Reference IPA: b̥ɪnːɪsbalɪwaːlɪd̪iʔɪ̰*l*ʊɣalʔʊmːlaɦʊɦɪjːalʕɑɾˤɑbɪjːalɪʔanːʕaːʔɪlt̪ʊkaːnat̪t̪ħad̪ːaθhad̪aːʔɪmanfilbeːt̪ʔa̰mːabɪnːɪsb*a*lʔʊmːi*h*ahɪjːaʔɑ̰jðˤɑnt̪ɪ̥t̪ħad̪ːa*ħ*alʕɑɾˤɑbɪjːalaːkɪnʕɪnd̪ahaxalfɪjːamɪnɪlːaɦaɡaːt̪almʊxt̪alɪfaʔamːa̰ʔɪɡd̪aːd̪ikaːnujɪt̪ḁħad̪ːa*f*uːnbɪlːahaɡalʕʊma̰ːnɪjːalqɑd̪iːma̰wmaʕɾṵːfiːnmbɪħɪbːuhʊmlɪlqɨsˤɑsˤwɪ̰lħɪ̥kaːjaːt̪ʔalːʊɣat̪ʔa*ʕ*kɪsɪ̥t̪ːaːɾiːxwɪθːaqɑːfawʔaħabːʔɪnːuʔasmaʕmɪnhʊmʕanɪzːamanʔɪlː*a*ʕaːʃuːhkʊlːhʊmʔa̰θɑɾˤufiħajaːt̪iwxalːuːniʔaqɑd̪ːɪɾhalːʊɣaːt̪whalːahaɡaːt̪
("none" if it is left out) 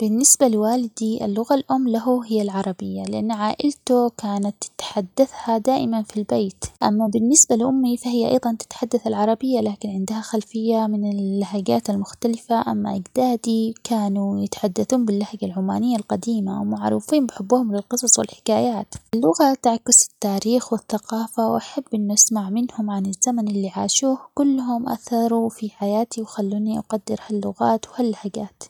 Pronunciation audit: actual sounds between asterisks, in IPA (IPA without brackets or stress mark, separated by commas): lː, a, f, θ, θ, ʕ, i